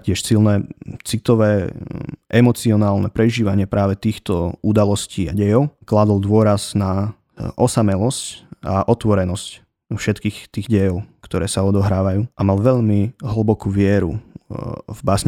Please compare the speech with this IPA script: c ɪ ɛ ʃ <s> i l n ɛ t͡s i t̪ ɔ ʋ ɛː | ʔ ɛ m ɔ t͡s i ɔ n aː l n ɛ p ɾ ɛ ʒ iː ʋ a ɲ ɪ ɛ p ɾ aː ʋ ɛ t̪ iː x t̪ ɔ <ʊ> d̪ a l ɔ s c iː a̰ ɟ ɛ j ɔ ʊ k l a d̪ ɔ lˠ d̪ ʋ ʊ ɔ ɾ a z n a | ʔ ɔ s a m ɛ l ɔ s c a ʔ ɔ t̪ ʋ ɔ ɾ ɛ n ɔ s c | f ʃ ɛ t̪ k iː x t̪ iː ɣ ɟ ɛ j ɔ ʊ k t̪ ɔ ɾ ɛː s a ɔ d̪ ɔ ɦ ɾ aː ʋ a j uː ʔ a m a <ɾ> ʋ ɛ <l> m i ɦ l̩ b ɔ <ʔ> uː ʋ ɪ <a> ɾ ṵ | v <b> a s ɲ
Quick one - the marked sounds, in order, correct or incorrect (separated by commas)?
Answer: correct, incorrect, incorrect, incorrect, incorrect, incorrect, correct